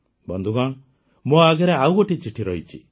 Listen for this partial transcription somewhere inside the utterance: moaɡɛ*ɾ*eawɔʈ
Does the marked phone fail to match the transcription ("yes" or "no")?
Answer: no